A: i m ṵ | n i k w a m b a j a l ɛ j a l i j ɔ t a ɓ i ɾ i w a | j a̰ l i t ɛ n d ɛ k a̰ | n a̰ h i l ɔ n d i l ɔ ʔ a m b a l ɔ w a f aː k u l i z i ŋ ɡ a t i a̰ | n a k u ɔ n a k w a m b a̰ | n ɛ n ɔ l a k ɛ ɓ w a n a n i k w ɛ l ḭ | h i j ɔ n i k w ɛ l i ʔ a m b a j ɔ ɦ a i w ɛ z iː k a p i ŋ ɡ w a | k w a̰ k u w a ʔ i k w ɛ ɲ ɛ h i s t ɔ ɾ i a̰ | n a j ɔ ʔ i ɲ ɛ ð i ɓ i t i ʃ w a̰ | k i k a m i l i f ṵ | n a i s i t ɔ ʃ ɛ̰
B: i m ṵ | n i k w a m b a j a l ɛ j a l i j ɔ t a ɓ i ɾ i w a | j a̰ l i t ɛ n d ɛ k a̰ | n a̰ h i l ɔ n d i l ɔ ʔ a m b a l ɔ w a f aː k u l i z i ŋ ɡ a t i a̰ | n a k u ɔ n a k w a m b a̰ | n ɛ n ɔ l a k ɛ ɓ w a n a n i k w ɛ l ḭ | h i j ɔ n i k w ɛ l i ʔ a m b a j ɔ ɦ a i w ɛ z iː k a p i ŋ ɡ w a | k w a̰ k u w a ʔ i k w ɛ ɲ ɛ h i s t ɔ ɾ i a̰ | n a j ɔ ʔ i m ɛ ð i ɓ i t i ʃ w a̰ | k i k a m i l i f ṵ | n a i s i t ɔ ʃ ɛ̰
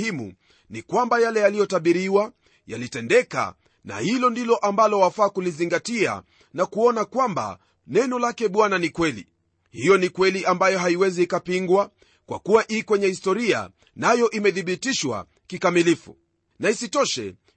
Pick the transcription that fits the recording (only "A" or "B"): B